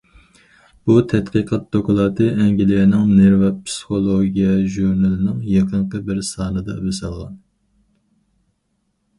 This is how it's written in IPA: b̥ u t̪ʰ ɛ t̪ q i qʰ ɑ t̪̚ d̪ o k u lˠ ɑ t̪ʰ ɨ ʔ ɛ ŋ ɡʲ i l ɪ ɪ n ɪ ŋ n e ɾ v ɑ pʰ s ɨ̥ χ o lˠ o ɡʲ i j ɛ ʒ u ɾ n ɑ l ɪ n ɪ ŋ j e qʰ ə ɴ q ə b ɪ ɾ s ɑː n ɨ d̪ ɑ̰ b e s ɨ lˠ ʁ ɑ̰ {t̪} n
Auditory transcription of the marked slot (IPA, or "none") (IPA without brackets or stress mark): none